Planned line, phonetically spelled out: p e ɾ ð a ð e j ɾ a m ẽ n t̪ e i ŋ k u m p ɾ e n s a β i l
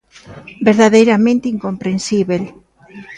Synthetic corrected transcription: b e ɾ ð a ð e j ɾ a m ẽ n t̪ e i ŋ k o m p ɾ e n s i β e l